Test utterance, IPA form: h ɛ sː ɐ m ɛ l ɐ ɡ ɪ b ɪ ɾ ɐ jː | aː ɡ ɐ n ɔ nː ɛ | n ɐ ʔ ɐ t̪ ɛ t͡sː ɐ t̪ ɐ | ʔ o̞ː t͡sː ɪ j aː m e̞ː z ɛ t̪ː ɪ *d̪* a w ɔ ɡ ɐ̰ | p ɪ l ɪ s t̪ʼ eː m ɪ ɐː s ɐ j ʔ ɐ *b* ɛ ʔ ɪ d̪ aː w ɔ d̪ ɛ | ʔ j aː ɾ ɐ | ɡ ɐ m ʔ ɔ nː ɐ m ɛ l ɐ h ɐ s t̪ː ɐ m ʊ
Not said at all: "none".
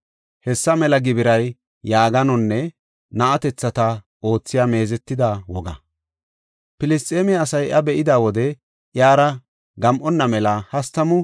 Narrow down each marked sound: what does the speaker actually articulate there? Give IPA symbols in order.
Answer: d̪, b

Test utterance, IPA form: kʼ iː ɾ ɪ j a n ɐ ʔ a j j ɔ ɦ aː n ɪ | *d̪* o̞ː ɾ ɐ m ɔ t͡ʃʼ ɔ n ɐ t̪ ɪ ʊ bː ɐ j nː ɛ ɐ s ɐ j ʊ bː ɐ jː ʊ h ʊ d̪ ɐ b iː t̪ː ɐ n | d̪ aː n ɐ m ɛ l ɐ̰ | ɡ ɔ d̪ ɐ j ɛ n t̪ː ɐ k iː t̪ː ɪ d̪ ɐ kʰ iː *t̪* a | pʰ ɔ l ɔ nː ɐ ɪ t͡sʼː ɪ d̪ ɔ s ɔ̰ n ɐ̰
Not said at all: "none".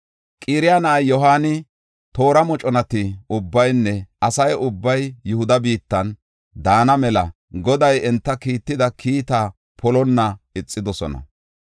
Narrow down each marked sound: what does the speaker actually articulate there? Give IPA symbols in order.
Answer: t̪, t̪

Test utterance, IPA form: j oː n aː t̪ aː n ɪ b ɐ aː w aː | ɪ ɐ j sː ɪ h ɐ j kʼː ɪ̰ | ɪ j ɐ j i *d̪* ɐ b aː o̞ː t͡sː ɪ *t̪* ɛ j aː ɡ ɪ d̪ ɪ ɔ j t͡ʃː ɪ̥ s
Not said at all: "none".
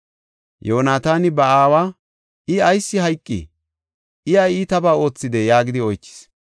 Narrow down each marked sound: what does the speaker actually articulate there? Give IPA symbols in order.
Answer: t̪, d̪

